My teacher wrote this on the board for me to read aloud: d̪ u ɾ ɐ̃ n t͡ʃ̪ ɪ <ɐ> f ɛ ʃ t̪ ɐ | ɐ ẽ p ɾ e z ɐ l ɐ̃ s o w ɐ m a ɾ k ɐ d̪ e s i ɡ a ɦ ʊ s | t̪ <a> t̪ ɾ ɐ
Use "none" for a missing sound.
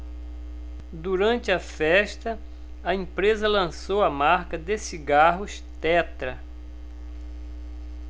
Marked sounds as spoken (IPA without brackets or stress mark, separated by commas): ɐ, ɛ